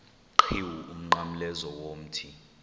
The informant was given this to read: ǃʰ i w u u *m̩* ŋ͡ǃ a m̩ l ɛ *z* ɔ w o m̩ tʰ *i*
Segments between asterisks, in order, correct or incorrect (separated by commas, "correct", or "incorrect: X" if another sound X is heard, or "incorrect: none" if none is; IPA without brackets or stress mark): correct, correct, correct